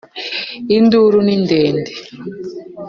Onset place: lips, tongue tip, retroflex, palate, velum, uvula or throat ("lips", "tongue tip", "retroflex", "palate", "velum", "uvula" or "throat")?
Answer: tongue tip